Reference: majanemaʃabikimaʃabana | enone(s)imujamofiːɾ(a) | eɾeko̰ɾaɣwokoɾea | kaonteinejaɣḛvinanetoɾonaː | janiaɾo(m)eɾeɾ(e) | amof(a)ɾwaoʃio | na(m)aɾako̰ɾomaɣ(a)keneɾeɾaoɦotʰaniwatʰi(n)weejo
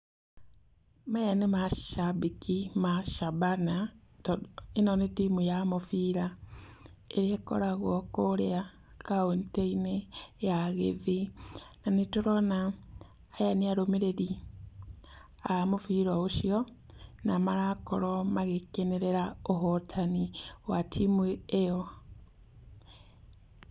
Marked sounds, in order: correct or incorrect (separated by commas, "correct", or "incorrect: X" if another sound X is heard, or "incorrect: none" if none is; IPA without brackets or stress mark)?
incorrect: t, correct, correct, incorrect: i, incorrect: i, correct, incorrect: e, incorrect: m